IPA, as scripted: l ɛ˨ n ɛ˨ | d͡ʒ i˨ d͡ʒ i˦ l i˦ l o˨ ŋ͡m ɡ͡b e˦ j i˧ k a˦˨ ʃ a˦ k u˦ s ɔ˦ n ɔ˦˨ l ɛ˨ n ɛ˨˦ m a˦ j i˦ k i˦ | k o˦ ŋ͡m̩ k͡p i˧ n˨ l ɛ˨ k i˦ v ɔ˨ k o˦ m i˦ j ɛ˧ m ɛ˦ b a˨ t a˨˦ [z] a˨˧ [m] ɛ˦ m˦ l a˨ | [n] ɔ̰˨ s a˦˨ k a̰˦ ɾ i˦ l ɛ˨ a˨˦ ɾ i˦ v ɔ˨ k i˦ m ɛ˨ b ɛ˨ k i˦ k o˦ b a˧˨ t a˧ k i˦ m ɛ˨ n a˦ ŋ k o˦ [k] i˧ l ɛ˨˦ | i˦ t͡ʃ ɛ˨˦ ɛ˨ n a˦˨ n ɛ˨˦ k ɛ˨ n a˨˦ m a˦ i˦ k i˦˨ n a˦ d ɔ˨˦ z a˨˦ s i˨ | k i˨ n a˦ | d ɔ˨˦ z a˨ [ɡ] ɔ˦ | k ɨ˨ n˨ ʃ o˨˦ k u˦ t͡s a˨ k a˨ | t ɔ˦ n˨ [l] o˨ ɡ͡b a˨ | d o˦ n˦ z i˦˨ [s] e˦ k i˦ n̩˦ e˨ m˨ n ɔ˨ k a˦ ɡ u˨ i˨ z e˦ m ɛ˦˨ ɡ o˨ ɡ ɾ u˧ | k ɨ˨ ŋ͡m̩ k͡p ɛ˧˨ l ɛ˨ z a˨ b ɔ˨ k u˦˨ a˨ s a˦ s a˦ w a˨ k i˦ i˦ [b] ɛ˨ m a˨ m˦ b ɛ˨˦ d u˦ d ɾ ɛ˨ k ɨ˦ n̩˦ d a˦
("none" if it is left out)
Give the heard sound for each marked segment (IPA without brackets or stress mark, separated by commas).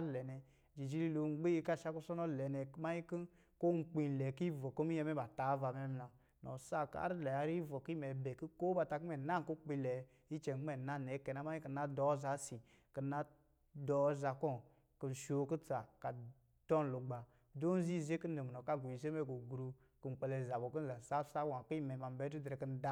v, m, n, k͡p, k, l, z, m